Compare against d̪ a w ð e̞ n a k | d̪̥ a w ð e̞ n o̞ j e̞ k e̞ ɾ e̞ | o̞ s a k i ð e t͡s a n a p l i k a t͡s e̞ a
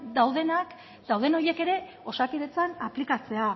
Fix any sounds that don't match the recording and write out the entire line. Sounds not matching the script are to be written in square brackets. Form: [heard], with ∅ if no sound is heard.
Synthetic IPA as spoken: d̪ a w ð e̞ n a k | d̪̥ a w ð e̞ n o̞ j e̞ k e̞ ɾ e̞ | o̞ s a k i ð e t͡s a n a p l i k a t͡s e̞ a

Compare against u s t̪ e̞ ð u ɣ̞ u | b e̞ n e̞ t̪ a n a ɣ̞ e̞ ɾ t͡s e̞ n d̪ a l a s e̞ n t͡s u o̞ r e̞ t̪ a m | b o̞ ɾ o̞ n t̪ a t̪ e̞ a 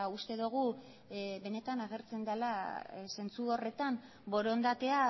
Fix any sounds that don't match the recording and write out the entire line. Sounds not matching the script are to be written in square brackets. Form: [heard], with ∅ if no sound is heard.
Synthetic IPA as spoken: u s t̪ e̞ ð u ɣ̞ u | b e̞ n e̞ t̪ a n a ɣ̞ e̞ ɾ t͡s e̞ n d̪ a l a s e̞ n t͡s u o̞ r e̞ t̪ a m | b o̞ ɾ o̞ n [d̪] a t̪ e̞ a

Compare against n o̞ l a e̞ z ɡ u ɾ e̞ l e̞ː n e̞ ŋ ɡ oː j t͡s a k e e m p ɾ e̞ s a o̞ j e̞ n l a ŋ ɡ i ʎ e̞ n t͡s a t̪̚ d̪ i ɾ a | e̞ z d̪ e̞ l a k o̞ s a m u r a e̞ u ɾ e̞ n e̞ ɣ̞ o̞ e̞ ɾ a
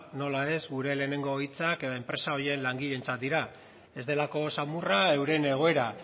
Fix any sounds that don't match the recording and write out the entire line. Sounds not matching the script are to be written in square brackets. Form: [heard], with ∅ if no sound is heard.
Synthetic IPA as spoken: n o̞ l a e̞ z ɡ u ɾ e̞ l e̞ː n e̞ ŋ ɡ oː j t͡s a k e e m p ɾ e̞ s a o̞ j e̞ n l a ŋ ɡ i ʎ e̞ n t͡s a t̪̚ d̪ i ɾ a | e̞ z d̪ e̞ l a k o̞ s a m u r a e̞ [w] ɾ e̞ n e̞ ɣ̞ o̞ e̞ ɾ a

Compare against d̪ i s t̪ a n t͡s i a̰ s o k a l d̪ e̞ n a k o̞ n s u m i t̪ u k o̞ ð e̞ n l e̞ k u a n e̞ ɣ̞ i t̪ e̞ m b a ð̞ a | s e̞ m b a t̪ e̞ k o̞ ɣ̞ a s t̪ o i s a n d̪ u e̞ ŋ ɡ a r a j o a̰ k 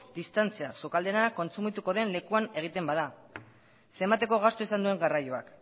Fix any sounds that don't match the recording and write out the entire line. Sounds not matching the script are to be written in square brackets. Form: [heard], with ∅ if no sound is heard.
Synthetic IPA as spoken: d̪ i s t̪ a n t͡s i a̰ s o k a l d̪ e̞ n a k o̞ n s u m i t̪ u k o̞ ð e̞ n l e̞ k u a n e̞ ɣ̞ i t̪ e̞ m b a ð̞ a | s e̞ m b a t̪ e̞ k o̞ ɣ̞ a s t̪ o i s a n d̪ u e̞ ŋ ɡ a r a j o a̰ k

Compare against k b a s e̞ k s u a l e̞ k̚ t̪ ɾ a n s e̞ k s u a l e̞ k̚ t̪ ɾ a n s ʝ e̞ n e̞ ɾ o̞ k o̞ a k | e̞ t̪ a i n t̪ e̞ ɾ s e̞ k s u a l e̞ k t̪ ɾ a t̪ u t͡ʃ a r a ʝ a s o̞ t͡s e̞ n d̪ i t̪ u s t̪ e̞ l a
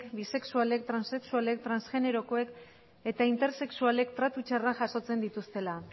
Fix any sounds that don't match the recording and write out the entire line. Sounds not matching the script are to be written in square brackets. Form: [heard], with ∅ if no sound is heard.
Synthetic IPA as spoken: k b [i] s e̞ k s u a l e̞ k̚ t̪ ɾ a n s e̞ k s u a l e̞ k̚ t̪ ɾ a n s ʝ e̞ n e̞ ɾ o̞ k o̞ [e] k | e̞ t̪ a i n t̪ e̞ ɾ s e̞ k s u a l e̞ k t̪ ɾ a t̪ u t͡ʃ a r a ʝ a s o̞ t͡s e̞ n d̪ i t̪ u s t̪ e̞ l a

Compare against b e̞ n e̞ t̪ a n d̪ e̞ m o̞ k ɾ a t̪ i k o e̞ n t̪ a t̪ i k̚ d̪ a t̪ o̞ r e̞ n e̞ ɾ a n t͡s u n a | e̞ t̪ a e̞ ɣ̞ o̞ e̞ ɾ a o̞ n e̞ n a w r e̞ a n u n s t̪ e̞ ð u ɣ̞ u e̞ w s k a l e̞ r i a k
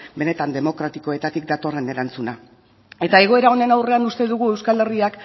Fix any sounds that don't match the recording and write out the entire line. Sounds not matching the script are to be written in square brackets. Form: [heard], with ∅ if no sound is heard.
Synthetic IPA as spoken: b e̞ n e̞ t̪ a n d̪ e̞ m o̞ k ɾ a t̪ i k o e̞ [∅] t̪ a t̪ i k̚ d̪ a t̪ o̞ r e̞ n e̞ ɾ a n t͡s u n a | e̞ t̪ a e̞ ɣ̞ o̞ e̞ ɾ a o̞ n e̞ n a w r e̞ a n u [∅] s t̪ e̞ ð u ɣ̞ u e̞ w s k a l e̞ r i a k

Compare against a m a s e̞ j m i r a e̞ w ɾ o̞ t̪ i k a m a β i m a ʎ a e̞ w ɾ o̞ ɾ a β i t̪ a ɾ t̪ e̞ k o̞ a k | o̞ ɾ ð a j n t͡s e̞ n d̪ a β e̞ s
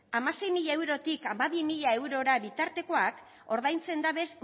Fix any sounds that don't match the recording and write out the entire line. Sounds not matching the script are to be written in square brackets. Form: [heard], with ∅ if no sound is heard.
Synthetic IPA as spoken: a m a s e̞ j m i [ʎ] a e̞ w ɾ o̞ t̪ i k a m a β i m [i] ʎ a e̞ w ɾ o̞ ɾ a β i t̪ a ɾ t̪ e̞ k o̞ a k | o̞ ɾ ð a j n t͡s e̞ n d̪ a β e̞ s

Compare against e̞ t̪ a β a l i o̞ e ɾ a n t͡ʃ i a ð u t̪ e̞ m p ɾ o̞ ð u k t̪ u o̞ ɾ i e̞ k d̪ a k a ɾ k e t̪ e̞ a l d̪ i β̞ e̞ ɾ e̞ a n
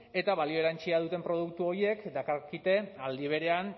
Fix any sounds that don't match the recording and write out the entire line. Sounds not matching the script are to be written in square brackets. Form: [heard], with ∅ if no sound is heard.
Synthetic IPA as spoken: e̞ t̪ a β a l i o̞ e ɾ a n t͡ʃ i a ð u t̪ e̞ m p ɾ o̞ ð u k t̪ u o̞ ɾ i e̞ k d̪ a k a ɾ k [i] t̪ e̞ a l d̪ i β̞ e̞ ɾ e̞ a n

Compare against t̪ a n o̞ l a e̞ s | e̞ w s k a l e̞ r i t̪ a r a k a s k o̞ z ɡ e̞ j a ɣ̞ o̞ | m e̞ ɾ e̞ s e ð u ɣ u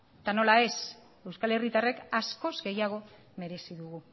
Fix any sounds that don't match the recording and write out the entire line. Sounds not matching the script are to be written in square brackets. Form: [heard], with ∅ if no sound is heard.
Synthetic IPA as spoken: t̪ a n o̞ l a e̞ s | e̞ w s k a l e̞ r i t̪ a r [e] k a s k o̞ z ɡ e̞ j a ɣ̞ o̞ | m e̞ ɾ e̞ s [i] ð u ɣ u

